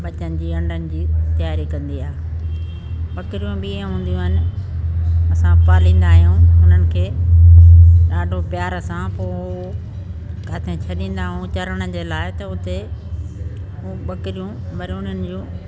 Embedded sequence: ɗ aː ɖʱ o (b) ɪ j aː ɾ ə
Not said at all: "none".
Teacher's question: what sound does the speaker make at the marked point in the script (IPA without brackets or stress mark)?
p